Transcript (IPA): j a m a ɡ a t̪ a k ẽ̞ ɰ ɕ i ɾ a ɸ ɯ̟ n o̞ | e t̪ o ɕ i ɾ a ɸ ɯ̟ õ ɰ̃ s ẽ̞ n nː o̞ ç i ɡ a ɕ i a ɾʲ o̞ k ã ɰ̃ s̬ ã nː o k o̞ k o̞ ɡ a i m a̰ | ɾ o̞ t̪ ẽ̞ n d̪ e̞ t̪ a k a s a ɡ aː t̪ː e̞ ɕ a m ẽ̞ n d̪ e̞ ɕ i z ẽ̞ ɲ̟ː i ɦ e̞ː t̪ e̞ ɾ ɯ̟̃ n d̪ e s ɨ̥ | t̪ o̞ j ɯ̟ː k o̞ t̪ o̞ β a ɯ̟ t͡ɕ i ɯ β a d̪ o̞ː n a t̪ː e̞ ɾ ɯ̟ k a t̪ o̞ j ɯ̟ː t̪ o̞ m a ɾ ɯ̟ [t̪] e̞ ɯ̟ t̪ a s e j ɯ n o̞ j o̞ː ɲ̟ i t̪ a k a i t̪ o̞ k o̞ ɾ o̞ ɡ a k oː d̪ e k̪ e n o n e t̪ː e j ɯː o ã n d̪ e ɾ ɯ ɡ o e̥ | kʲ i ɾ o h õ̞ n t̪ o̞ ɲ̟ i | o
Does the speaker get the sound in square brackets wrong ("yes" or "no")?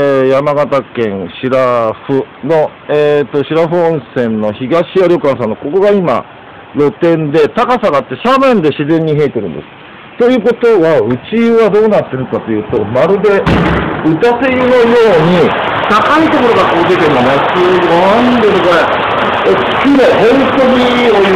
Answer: yes